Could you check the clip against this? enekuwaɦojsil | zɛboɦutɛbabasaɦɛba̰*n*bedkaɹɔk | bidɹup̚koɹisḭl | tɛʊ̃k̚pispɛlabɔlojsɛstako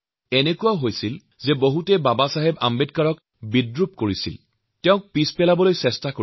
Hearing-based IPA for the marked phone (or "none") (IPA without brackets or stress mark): m